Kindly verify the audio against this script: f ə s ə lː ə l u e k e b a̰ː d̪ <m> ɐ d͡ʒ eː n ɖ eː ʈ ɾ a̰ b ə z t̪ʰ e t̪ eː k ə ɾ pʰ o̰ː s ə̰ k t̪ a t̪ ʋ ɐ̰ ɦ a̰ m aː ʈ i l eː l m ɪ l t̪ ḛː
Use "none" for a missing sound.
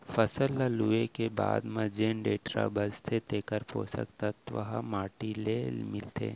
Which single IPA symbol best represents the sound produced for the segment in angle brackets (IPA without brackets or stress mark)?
m